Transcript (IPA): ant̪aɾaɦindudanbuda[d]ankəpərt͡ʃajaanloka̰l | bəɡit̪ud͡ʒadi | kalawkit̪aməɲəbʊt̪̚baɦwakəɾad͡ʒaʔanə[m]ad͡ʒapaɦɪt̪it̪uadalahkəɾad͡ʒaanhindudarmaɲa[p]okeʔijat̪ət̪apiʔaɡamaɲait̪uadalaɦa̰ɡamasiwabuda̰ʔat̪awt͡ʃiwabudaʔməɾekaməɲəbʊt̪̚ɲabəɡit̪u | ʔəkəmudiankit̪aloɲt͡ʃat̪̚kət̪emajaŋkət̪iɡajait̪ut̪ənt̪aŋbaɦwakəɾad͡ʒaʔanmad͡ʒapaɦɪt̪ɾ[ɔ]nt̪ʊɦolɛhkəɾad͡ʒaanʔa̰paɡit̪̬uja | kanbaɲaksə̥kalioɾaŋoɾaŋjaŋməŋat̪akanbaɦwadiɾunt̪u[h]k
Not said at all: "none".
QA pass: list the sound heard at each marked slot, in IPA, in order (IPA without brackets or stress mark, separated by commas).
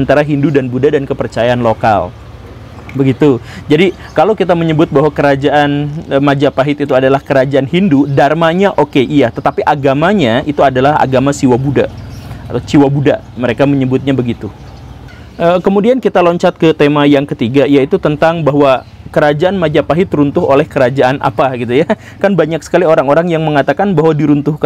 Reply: d, m, ʔ, u, h